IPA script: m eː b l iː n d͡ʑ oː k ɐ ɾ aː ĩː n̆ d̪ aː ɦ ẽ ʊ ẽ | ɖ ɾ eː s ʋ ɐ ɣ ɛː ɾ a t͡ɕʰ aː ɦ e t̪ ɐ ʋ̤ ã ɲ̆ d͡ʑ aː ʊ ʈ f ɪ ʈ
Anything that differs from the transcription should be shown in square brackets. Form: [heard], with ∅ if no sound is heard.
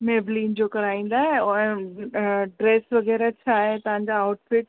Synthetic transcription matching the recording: m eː b l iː n d͡ʑ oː k ɐ ɾ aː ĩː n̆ d̪ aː ɦ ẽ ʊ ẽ | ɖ ɾ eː s ʋ ɐ ɣ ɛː ɾ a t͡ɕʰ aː ɦ e t̪ ɐ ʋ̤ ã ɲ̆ d͡ʑ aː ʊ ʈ f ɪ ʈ